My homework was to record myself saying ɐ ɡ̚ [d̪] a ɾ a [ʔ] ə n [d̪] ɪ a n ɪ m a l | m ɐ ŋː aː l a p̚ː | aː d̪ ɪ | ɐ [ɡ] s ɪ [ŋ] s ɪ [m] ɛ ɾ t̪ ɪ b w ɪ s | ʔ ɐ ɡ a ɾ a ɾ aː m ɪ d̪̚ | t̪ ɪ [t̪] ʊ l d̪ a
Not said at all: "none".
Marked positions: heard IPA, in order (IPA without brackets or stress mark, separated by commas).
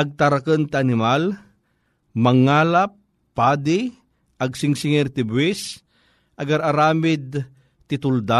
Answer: t̪, k, t̪, ɡ, ŋ, ŋ, t̪